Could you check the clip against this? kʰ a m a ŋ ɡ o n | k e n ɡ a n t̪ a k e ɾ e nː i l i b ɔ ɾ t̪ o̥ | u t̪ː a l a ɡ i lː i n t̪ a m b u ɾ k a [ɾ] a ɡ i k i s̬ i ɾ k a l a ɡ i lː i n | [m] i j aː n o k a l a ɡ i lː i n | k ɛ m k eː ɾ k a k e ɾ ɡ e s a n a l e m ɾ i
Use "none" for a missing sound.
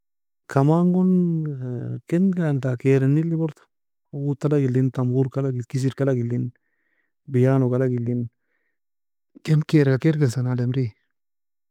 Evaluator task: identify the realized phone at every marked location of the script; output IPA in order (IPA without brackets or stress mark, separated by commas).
l, b